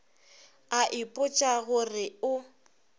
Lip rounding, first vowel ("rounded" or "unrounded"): unrounded